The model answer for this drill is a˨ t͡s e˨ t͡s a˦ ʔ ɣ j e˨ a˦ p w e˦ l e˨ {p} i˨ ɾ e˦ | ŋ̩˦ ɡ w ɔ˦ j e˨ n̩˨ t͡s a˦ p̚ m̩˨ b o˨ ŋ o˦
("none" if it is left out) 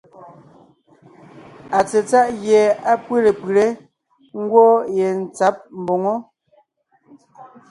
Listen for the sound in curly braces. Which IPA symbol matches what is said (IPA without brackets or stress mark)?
p